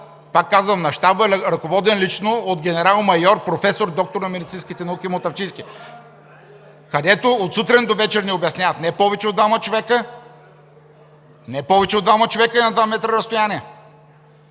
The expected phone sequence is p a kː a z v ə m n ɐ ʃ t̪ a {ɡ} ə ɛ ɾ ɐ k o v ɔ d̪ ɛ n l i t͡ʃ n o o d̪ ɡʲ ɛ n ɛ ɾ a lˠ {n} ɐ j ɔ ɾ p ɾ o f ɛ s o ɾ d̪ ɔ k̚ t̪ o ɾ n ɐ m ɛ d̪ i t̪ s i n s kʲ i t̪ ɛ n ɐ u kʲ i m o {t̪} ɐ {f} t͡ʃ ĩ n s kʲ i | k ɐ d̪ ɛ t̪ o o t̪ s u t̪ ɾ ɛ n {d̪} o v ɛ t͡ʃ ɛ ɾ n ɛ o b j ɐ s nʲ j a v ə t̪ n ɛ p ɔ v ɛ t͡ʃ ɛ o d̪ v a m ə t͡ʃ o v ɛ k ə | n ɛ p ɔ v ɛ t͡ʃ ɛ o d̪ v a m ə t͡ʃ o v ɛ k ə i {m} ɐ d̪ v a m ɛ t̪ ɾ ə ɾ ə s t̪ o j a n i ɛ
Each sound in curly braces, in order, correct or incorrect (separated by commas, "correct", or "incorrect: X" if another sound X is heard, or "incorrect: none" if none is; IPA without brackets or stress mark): incorrect: b, incorrect: m, correct, correct, correct, incorrect: n